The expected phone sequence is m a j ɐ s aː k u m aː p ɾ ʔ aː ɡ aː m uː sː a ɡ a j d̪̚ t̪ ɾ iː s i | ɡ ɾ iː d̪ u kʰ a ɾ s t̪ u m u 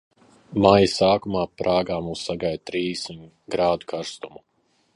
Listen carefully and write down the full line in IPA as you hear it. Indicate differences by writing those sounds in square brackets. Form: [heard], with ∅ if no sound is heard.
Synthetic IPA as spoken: m a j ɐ s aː k u m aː p ɾ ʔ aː ɡ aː m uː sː a ɡ a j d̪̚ t̪ ɾ iː s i | ɡ ɾ [aː] d̪ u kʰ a ɾ s t̪ u m u